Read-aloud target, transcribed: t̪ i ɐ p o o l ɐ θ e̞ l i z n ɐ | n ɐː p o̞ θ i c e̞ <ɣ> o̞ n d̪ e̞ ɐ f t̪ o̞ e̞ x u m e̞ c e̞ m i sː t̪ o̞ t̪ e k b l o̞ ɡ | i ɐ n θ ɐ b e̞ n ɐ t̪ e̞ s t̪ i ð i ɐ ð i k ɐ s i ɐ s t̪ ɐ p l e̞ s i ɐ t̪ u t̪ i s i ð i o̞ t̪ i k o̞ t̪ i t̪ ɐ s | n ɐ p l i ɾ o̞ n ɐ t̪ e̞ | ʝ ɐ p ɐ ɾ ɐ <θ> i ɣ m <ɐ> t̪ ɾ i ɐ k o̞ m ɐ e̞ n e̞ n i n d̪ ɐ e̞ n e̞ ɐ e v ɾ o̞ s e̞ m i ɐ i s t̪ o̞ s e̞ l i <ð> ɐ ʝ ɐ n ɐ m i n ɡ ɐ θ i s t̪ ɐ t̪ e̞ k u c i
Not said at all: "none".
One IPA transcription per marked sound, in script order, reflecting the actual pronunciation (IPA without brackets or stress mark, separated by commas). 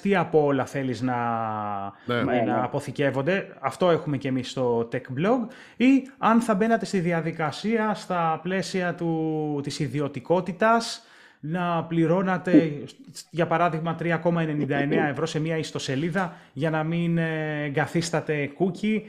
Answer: v, ð, ɐ, ð